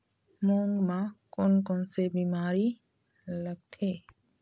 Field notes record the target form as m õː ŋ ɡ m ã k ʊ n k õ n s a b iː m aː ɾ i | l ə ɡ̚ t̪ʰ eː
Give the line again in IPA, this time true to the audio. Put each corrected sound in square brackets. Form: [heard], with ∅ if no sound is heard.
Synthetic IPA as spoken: m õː ŋ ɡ m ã k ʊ n k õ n s [e] b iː m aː ɾ i | l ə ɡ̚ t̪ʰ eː